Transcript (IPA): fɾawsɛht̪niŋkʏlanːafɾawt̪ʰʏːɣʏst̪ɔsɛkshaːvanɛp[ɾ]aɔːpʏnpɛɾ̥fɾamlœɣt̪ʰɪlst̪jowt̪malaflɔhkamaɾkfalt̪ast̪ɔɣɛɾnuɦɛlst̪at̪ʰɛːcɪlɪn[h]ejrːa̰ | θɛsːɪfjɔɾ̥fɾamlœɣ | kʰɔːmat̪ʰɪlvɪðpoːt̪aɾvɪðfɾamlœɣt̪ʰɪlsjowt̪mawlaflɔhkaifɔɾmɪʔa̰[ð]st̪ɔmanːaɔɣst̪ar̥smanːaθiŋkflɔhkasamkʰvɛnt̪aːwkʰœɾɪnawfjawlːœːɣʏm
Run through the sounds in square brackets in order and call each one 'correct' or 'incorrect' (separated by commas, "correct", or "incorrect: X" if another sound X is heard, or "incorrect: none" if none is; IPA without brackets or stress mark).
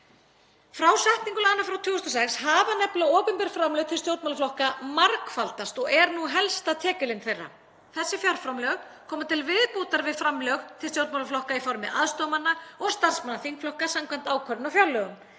incorrect: l, incorrect: θ, correct